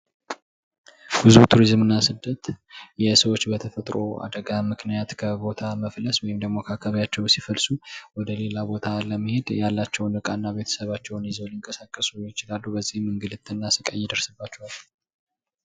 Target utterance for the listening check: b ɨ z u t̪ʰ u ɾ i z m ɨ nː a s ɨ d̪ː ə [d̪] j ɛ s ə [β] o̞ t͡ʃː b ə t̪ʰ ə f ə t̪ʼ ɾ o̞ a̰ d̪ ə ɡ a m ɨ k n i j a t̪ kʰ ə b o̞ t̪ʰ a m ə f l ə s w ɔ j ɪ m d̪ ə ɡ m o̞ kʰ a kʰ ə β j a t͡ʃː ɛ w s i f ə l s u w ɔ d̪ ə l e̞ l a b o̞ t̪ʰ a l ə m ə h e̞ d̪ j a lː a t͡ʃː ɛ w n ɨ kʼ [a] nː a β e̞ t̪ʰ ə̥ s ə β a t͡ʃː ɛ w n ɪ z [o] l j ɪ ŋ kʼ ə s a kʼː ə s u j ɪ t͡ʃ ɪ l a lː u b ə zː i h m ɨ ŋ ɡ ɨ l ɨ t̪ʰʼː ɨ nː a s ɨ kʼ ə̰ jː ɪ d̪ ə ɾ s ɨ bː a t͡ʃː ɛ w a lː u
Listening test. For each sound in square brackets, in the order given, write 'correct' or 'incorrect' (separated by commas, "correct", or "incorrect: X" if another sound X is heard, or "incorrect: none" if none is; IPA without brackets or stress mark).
incorrect: t̪, incorrect: w, correct, correct